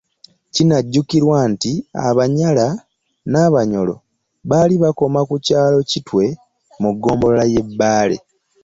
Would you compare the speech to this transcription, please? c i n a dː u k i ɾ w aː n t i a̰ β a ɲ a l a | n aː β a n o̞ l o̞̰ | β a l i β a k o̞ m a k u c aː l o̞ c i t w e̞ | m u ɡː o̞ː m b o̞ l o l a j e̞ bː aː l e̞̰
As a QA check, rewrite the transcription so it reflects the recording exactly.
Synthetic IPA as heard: c i n a ɟː u k i ɾ w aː n t i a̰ β a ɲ a l a | n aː β a ɲ o̞ l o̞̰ | β a l i β a k o̞ m a k u c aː l o̞ c i t w e̞ | m u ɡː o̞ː m b o̞ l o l a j e̞ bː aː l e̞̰